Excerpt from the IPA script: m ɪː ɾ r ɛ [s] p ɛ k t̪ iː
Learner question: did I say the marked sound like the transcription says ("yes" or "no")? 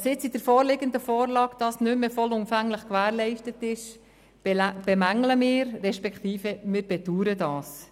no